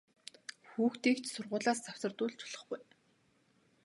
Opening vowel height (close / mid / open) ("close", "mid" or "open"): close